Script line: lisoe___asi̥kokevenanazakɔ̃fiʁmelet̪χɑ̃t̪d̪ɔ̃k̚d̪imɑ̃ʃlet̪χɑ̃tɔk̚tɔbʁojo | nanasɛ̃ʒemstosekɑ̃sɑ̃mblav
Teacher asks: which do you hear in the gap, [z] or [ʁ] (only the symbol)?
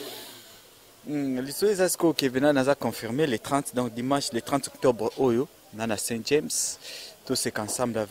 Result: z